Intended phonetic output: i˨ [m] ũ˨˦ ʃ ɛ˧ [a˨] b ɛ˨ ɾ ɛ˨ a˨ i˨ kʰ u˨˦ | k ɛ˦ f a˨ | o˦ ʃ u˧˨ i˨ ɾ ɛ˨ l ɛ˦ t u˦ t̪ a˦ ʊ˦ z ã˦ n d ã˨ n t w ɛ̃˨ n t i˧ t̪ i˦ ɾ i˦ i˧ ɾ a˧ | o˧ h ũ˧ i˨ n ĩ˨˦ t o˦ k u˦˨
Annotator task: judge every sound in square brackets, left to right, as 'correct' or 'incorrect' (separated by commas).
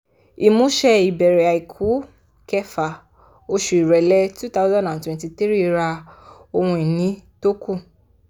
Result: correct, incorrect